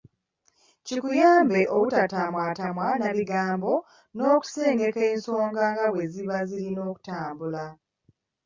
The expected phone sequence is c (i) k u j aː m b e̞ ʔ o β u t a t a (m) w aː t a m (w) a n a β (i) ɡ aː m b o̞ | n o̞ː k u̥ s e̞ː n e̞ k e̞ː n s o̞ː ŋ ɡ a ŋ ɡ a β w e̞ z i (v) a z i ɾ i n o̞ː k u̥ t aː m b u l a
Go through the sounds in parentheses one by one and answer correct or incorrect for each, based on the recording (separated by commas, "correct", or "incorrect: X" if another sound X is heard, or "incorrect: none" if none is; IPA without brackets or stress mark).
correct, correct, correct, correct, incorrect: β